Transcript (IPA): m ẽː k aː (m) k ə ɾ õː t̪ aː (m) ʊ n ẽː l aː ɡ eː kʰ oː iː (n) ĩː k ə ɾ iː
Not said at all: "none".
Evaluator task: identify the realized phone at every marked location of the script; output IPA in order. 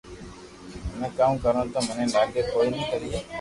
m, m, n

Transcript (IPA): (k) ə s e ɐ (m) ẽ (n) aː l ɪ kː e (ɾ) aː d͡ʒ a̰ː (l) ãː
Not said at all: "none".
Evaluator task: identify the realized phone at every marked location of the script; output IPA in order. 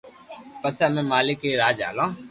p, m, m, ɾ, l

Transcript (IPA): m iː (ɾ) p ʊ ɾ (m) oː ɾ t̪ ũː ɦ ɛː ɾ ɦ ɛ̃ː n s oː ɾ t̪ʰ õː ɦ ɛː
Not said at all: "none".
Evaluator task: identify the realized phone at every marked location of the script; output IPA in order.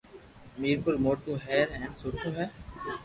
ɾ, m

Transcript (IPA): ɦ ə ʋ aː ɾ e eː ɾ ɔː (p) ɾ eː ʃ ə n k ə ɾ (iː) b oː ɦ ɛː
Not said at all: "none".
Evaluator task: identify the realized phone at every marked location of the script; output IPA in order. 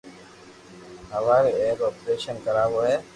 p, aː

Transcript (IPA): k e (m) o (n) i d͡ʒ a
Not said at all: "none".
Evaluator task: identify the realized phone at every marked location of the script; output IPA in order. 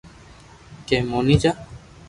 m, n

